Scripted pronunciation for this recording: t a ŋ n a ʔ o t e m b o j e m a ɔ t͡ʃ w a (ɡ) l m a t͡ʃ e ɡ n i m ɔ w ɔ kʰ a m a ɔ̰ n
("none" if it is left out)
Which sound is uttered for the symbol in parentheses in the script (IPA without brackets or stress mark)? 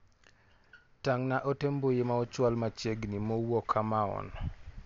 none